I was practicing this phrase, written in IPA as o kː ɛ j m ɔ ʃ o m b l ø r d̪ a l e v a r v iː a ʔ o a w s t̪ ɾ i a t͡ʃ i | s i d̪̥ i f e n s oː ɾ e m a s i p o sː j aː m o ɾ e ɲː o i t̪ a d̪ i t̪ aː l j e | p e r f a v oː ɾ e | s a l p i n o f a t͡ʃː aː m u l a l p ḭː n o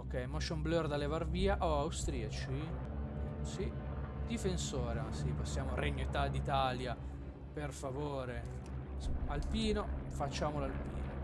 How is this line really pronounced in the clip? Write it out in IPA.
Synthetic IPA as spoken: o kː ɛ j m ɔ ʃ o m b l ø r d̪ a l e v a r v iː a ʔ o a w s t̪ ɾ i a t͡ʃ i | s i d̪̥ i f e n s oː ɾ e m a s i p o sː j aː m o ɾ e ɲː o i t̪ a d̪ i t̪ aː l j a | p e r f a v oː ɾ e | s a l p iː n o f a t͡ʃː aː m o l a l p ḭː n o